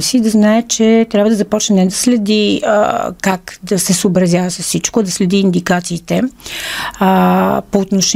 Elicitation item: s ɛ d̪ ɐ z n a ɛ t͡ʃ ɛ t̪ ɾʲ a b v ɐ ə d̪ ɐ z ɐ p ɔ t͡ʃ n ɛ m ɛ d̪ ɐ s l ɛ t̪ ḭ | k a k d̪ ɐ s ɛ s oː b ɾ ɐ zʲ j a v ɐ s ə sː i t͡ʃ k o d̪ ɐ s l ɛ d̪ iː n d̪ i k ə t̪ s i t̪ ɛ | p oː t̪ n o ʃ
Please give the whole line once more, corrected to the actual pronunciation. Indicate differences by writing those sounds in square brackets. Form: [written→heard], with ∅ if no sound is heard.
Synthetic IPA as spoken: s [ɛ→i] d̪ ɐ z n a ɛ t͡ʃ ɛ t̪ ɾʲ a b v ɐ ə d̪ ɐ z ɐ p ɔ t͡ʃ n ɛ [m→n] ɛ d̪ ɐ s l ɛ [t̪→d̪] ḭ | k a k d̪ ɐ s ɛ s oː b ɾ ɐ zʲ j a v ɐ s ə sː i t͡ʃ k o d̪ ɐ s l ɛ d̪ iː n d̪ i k [ə→a] t̪ s [i→iː] t̪ ɛ | p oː t̪ n o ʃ